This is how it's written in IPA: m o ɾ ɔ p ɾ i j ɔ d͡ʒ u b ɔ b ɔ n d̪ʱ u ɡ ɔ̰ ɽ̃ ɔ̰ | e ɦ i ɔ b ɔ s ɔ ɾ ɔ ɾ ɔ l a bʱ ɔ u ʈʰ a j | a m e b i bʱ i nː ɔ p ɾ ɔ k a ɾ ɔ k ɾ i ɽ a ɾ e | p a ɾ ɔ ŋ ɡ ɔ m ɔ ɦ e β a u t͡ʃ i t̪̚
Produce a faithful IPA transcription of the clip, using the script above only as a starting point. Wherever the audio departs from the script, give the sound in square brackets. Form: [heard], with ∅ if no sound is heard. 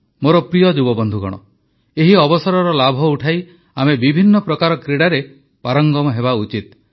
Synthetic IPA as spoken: m o ɾ ɔ p ɾ i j ɔ d͡ʒ u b ɔ b ɔ n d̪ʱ u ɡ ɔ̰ ɽ̃ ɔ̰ | e ɦ i ɔ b ɔ s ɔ ɾ ɔ ɾ ɔ l a bʱ ɔ u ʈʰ a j | a m e b i bʱ i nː ɔ p ɾ ɔ k a ɾ ɔ k ɾ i ɽ a ɾ e | p a ɾ ɔ ŋ ɡ ɔ m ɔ ɦ e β a u t͡ʃ i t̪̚